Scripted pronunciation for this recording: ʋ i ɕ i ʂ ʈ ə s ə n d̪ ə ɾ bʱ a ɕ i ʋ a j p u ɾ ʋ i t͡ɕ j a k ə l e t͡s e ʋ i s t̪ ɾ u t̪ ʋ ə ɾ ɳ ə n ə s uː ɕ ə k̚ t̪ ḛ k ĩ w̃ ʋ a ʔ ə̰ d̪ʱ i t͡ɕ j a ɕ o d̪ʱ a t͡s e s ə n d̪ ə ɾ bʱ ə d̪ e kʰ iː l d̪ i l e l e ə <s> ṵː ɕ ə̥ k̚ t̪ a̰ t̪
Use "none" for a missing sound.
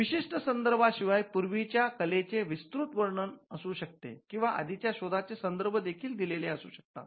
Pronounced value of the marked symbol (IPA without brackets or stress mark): s